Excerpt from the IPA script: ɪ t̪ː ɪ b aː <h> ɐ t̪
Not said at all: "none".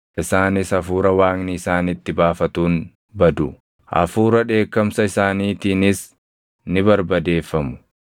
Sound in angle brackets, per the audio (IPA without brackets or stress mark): f